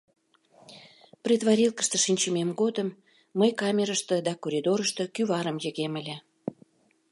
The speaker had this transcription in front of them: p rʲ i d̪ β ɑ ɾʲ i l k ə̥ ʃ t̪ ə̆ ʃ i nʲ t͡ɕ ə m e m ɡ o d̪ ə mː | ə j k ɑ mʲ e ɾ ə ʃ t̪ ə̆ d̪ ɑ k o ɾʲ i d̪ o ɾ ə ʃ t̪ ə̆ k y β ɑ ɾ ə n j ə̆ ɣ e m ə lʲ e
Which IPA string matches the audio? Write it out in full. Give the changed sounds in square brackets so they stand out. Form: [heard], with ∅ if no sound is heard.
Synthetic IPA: p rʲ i d̪ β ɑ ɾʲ i l k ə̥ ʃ t̪ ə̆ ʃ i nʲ t͡ɕ ə m e m ɡ o d̪ ə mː | ə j k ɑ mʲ e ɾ ə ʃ t̪ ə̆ d̪ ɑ k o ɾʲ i d̪ o ɾ ə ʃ t̪ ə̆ k y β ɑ ɾ ə [m] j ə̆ ɣ e m ə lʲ e